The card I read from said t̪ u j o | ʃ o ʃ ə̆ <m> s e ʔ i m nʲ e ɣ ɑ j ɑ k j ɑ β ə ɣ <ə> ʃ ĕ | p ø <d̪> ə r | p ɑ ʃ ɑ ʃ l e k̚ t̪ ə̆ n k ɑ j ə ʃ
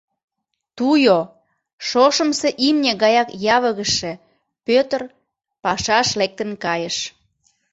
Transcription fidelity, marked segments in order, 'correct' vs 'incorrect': correct, correct, incorrect: t̪

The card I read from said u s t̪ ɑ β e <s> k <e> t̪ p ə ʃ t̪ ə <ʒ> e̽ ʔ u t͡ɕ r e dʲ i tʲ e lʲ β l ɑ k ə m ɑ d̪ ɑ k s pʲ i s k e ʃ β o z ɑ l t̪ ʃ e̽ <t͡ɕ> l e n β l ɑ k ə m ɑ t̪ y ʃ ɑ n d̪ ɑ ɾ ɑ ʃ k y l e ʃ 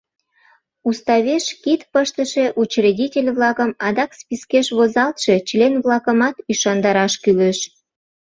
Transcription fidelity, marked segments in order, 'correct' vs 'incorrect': incorrect: ʃ, incorrect: i, incorrect: ʃ, correct

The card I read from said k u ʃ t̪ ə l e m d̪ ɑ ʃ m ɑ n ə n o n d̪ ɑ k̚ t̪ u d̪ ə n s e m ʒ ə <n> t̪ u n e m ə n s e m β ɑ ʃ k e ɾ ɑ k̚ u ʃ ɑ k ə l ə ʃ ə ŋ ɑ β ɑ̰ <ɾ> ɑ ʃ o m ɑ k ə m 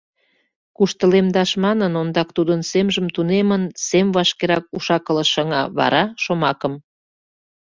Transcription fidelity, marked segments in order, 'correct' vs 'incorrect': incorrect: m, correct

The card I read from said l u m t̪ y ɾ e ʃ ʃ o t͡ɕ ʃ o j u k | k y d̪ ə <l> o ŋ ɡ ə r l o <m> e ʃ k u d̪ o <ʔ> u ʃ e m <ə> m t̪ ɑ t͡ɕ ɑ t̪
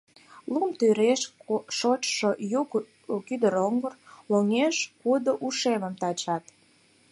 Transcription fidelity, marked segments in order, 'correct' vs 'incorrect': incorrect: ɾ, incorrect: ŋ, correct, correct

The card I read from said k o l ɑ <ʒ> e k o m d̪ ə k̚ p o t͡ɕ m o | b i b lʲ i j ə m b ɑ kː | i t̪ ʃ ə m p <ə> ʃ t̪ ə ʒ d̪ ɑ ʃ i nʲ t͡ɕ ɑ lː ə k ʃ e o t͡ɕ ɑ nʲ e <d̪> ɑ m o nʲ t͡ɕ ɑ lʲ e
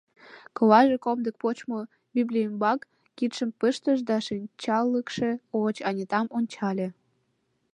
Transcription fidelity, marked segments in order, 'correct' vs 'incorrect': correct, correct, incorrect: t̪

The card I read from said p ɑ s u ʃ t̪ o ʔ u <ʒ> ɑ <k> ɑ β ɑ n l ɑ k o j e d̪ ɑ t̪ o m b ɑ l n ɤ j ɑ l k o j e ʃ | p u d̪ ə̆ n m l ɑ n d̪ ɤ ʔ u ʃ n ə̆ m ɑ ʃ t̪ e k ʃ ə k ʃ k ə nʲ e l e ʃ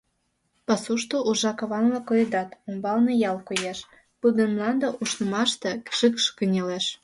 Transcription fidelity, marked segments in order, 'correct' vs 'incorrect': correct, correct

